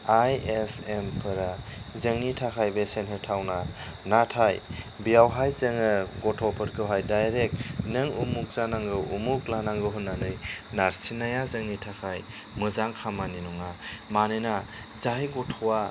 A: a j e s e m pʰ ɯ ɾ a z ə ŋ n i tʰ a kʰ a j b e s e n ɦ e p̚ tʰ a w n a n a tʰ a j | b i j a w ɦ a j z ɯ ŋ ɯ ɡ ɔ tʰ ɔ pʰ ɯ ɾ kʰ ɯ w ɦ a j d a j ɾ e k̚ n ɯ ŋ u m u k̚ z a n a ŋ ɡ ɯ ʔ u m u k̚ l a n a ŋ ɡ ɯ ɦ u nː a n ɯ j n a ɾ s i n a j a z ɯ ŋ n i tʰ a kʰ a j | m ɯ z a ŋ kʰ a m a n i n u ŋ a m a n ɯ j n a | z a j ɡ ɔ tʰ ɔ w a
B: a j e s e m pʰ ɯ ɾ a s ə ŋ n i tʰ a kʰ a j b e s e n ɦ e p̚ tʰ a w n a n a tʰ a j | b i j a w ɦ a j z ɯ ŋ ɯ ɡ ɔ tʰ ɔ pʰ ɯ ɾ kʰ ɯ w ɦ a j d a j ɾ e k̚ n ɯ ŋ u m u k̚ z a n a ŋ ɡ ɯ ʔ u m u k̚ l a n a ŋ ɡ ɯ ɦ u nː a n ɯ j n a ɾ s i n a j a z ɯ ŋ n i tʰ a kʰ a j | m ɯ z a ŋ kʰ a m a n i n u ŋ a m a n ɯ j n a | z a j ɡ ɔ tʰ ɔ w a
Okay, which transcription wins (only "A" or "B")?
A